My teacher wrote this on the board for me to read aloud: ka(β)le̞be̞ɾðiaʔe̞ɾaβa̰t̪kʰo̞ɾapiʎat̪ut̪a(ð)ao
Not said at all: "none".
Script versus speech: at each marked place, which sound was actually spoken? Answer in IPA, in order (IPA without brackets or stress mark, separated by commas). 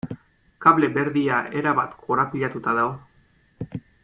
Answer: β, ð